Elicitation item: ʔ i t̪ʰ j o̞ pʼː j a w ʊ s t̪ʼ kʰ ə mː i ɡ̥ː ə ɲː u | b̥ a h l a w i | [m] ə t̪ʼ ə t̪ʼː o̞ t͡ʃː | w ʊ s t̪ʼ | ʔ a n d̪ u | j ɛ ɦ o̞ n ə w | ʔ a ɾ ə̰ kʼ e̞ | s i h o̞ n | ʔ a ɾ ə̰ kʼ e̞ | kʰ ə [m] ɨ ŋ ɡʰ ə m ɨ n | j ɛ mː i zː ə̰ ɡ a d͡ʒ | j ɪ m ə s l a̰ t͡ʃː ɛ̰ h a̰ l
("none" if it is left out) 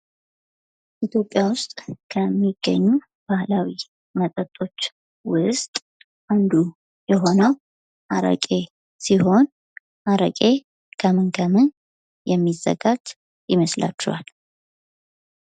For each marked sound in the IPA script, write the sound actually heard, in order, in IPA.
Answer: m, m

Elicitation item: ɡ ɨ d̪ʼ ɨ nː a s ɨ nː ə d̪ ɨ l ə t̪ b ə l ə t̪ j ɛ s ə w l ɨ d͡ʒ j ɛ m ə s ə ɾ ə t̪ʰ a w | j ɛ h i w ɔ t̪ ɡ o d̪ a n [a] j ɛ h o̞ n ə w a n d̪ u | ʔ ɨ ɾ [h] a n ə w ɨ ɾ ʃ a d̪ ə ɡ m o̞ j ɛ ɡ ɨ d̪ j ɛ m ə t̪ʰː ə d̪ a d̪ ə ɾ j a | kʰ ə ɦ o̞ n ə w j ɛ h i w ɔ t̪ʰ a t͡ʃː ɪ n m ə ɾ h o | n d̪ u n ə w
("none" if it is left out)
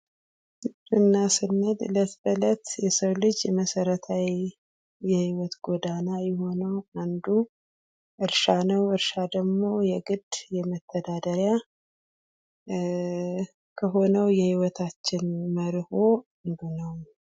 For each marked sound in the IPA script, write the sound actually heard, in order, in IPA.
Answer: a, ʃ

